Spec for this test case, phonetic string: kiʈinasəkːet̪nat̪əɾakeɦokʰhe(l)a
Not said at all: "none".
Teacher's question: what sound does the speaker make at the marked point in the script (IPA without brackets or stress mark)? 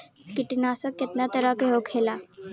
l